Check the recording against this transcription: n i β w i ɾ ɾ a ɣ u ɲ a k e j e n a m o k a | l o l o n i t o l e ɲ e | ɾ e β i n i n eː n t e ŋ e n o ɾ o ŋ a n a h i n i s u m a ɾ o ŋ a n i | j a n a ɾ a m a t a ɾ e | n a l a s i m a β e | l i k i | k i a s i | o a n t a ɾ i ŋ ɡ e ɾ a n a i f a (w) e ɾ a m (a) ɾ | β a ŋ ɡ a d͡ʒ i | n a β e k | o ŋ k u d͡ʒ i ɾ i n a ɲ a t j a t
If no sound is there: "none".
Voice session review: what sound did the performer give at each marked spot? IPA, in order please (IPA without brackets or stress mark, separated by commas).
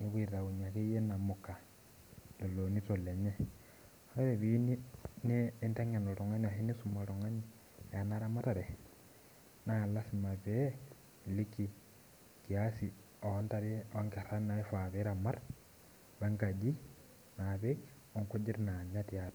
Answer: β, a